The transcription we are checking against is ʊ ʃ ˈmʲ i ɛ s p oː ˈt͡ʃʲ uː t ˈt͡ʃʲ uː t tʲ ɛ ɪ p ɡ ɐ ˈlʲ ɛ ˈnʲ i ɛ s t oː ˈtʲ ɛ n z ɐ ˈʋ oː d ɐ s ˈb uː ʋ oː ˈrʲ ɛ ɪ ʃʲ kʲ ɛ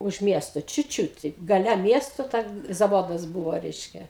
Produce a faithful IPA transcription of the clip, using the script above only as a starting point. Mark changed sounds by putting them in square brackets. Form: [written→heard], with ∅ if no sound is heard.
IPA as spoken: ʊ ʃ ˈmʲ i ɛ s [p→t] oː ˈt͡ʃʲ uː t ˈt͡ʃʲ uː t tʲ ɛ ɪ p ɡ ɐ ˈlʲ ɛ [ˈnʲ→ˈmʲ] i ɛ s t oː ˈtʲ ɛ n z ɐ ˈʋ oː d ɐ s ˈb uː ʋ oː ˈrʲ ɛ ɪ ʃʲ kʲ ɛ